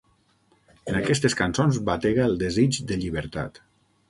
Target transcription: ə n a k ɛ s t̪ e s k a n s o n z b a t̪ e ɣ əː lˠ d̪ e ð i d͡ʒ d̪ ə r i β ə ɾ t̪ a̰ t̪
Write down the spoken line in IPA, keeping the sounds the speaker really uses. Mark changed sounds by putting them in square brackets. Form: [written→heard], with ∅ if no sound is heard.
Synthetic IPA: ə n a k ɛ s t̪ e s k a n s o n z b a t̪ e ɣ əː lˠ d̪ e [ð→z] i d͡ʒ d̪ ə [r→ʎ] i β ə ɾ t̪ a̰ t̪